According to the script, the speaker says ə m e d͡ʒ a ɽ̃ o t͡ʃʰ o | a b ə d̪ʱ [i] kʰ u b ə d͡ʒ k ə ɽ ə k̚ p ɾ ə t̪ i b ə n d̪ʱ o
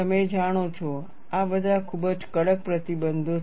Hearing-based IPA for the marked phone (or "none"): a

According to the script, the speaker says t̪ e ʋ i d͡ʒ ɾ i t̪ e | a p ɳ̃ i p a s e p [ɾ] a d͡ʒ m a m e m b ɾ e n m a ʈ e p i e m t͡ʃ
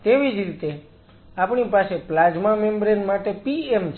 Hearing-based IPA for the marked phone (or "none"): l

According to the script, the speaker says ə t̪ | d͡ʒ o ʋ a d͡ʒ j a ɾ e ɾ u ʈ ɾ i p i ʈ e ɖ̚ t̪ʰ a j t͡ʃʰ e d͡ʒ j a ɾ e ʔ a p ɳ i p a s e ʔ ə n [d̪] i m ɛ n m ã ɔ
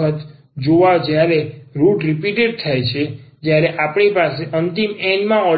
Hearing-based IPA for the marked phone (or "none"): t̪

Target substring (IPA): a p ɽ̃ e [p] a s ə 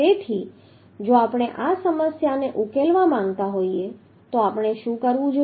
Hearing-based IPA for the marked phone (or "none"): ʔ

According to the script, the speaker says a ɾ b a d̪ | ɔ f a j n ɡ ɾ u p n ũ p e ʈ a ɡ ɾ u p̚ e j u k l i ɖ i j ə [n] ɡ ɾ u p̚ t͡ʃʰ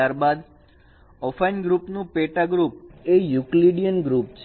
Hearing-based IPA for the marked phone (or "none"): n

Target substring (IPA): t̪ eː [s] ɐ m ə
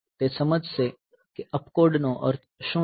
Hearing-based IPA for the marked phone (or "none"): s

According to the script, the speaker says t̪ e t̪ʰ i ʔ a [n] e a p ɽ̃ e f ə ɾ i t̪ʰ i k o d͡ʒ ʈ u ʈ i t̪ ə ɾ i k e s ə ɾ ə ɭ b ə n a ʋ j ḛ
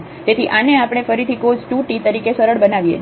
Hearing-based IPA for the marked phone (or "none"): n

